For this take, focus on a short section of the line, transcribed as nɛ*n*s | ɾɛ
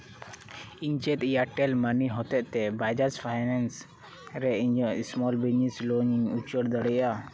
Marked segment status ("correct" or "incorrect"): correct